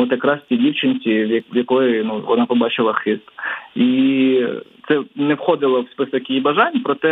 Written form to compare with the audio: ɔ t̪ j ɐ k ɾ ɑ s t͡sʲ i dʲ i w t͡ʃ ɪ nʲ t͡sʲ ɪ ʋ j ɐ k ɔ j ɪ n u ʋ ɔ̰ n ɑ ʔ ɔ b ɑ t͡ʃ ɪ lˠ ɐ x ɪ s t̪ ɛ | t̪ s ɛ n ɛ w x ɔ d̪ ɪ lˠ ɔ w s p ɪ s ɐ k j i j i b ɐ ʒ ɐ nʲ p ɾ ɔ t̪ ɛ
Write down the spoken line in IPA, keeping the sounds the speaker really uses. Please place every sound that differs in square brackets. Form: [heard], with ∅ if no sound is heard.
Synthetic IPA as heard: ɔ t̪ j ɐ k ɾ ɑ s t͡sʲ i dʲ i w t͡ʃ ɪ nʲ t͡sʲ [i] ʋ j ɐ k ɔ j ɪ n u ʋ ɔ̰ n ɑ [p] ɔ b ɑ t͡ʃ ɪ lˠ ɐ x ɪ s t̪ [i] | t̪ s ɛ n ɛ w x ɔ d̪ ɪ lˠ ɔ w s p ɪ s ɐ k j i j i b ɐ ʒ [ɑ] nʲ p ɾ ɔ t̪ ɛ